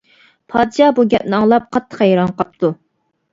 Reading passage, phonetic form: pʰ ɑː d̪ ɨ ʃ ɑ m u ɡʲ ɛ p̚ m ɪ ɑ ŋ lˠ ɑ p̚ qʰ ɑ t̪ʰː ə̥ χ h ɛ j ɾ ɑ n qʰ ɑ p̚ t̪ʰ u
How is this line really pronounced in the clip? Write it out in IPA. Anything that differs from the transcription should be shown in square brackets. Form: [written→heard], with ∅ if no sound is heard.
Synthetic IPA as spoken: pʰ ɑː d̪ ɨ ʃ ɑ [m→b] u ɡʲ ɛ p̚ [m→n] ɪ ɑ ŋ lˠ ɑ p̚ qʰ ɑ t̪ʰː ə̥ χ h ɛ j ɾ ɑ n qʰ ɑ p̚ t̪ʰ u